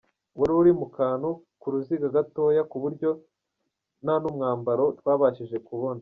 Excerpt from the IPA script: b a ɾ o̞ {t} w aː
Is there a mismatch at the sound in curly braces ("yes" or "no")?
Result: no